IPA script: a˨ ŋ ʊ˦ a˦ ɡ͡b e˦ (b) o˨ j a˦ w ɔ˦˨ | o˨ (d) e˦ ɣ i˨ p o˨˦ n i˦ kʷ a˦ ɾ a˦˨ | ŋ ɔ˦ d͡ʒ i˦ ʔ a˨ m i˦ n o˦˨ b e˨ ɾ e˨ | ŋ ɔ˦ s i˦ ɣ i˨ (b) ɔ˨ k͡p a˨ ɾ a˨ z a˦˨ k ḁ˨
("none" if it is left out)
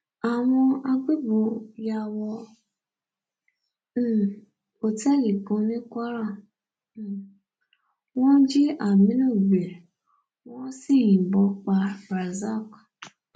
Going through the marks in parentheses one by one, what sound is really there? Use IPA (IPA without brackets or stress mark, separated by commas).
b, t, b